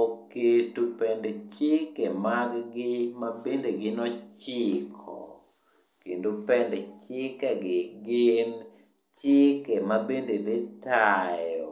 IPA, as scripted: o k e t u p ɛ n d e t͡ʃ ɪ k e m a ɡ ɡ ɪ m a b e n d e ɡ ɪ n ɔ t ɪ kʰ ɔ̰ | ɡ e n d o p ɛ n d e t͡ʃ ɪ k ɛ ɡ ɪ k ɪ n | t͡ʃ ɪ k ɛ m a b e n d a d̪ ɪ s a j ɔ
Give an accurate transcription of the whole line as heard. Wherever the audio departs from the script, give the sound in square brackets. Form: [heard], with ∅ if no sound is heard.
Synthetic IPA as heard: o k e t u p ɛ n d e t͡ʃ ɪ k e m a ɡ ɡ ɪ m a b e n d e ɡ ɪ n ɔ [t͡ʃ] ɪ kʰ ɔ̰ | [k] e n d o p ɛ n d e t͡ʃ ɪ k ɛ ɡ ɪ [ɡ] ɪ n | t͡ʃ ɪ k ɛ m a b e n d [e] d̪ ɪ [t] a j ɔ

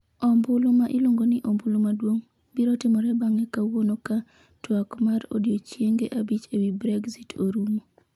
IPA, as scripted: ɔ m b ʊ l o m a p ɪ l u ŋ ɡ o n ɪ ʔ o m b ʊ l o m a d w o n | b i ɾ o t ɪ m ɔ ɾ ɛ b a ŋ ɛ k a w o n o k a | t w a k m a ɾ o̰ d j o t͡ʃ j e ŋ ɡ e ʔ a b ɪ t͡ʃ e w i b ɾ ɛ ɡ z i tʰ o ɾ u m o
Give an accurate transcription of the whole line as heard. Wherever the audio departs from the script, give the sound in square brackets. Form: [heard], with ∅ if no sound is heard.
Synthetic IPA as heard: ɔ m b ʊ l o m a [ʔ] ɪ l [o] ŋ ɡ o n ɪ ʔ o m b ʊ l o m a d w o [ŋ] | b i ɾ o t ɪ m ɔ ɾ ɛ b a ŋ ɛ k a w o n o k a | t w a k m a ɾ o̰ d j o t͡ʃ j e ŋ ɡ e ʔ a b [i] t͡ʃ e w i b ɾ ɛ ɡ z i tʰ o ɾ u m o

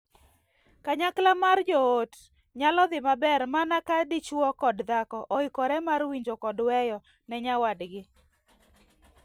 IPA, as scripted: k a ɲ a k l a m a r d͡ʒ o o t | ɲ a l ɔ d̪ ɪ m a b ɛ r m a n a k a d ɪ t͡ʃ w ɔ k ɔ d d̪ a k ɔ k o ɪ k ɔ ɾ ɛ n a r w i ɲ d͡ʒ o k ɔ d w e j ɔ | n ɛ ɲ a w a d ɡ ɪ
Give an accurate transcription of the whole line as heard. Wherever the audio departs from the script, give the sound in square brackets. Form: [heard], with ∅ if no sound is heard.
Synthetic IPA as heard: k a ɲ a k l a m a r d͡ʒ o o t | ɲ a l ɔ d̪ ɪ m a b ɛ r m a n a k a d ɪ t͡ʃ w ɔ k ɔ d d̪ a k ɔ [ʔ] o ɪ k ɔ ɾ ɛ [m] a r w i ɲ d͡ʒ o k ɔ d w [ɛ] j ɔ | n ɛ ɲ a w a d ɡ ɪ

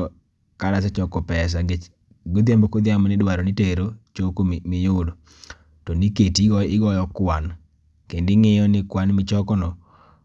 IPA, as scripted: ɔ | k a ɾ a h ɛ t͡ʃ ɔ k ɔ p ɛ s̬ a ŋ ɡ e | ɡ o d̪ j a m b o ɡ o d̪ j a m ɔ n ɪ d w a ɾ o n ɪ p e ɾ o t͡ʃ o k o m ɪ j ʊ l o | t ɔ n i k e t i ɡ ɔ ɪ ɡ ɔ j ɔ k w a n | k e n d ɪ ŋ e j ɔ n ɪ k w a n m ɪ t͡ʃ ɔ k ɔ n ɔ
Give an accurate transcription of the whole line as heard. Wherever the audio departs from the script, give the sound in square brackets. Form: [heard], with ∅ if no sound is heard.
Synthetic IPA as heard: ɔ | k a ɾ a [s] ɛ t͡ʃ ɔ k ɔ p ɛ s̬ a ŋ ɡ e | ɡ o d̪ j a m b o [k] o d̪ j a m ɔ n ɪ d w a ɾ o n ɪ [t] e ɾ o t͡ʃ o k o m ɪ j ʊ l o | t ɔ n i k e t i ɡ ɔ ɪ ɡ ɔ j ɔ k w a n | k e n d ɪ ŋ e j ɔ n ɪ k w a n m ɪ t͡ʃ ɔ k ɔ n ɔ

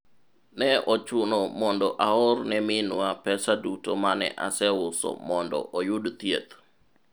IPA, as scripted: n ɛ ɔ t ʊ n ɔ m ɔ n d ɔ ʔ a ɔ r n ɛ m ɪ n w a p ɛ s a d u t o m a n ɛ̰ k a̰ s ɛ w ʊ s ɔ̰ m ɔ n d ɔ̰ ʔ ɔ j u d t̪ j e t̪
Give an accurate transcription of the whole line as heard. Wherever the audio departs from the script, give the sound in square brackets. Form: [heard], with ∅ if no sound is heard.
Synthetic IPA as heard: n ɛ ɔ [t͡ʃ] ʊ n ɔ m ɔ n d ɔ ʔ a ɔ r n ɛ m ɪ n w a p ɛ s a d u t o m a n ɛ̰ [ʔ] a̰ s ɛ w ʊ s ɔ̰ m ɔ n d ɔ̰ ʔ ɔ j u d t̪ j e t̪

